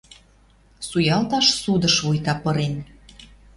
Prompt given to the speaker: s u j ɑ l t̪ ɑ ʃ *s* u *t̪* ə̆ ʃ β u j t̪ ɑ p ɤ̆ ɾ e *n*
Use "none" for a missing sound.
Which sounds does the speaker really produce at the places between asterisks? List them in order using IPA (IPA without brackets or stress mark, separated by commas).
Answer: s, d̪, n